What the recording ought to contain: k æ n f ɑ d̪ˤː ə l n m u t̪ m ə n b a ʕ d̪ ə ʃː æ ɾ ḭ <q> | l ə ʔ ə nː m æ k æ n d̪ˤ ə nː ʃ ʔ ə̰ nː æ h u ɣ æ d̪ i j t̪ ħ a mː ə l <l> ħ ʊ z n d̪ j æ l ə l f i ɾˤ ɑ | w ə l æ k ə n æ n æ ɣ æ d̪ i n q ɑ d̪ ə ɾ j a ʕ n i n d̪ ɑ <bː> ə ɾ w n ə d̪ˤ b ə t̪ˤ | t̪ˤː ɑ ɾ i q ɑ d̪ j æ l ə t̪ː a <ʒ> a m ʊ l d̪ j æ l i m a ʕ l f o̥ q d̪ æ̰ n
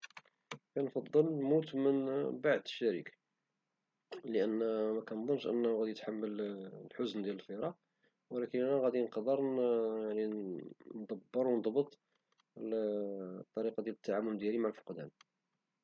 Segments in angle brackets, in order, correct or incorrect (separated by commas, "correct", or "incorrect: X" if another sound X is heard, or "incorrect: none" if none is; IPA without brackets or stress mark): incorrect: k, correct, correct, incorrect: ʕ